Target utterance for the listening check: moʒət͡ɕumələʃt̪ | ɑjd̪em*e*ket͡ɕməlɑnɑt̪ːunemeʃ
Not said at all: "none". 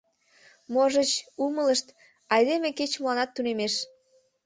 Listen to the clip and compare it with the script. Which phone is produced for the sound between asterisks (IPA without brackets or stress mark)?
e